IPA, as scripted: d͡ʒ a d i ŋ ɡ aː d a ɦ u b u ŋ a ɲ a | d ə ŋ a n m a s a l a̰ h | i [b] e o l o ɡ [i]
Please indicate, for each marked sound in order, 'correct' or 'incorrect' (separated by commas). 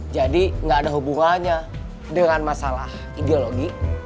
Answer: incorrect, correct